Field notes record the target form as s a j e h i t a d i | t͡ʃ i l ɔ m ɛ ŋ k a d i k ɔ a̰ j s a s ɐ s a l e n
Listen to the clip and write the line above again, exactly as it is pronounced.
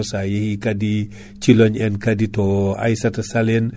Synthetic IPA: s a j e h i k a d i | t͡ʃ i l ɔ ɲ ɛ n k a d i t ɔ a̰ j s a t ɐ s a l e n